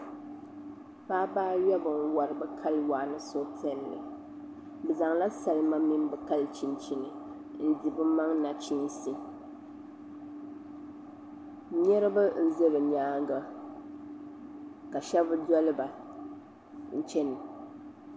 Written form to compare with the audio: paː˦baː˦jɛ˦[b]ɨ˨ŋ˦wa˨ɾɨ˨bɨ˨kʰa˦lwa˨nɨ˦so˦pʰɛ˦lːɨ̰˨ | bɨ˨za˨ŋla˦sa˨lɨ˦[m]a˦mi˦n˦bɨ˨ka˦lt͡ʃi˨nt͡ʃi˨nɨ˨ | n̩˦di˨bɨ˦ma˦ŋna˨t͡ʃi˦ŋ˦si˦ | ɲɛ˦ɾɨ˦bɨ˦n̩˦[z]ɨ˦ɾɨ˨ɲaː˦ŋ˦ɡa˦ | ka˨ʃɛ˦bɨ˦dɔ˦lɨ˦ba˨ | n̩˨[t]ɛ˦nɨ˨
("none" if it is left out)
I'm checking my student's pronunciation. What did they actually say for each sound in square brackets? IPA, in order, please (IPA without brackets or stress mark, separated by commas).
b, m, z, t͡ʃ